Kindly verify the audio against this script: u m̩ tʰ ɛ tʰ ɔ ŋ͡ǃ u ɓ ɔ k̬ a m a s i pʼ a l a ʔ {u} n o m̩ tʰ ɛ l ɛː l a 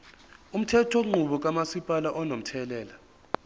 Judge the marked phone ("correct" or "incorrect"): incorrect